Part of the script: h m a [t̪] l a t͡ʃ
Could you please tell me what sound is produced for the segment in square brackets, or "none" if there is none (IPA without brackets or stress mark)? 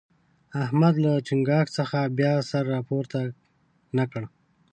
d̪